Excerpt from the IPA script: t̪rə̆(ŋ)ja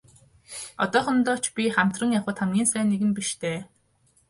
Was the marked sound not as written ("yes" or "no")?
no